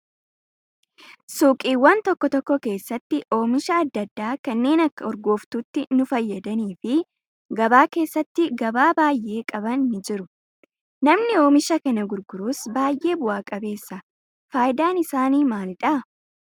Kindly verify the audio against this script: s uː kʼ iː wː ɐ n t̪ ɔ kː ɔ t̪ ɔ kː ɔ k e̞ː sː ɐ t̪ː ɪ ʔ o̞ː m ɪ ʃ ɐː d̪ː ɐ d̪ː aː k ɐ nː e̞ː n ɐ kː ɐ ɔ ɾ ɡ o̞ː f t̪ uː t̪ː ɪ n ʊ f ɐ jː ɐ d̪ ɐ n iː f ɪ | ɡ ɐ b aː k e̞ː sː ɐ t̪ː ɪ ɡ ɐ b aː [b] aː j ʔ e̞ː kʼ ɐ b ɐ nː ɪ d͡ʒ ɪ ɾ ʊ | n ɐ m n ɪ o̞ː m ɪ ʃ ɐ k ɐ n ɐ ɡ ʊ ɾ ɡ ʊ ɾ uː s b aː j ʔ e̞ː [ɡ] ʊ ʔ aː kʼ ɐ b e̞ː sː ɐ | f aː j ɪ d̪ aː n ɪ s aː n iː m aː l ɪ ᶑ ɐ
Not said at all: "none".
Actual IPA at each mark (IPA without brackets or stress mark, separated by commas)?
b, b